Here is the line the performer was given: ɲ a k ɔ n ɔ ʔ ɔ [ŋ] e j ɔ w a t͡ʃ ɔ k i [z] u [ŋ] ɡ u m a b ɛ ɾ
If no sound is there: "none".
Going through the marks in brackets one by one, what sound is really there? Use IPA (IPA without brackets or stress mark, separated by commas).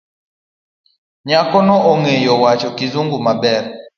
ŋ, z, ŋ